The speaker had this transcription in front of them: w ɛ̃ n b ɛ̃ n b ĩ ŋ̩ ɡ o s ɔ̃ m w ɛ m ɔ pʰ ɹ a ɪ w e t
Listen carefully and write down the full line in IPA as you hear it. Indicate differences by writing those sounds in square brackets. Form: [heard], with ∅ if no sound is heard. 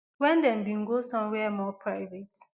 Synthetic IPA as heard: w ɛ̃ n [d] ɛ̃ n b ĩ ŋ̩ ɡ o s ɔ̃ m w ɛ m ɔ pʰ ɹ a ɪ [v] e t